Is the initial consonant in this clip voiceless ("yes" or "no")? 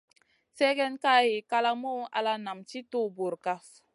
yes